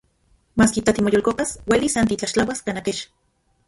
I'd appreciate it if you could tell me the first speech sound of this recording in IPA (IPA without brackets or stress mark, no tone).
m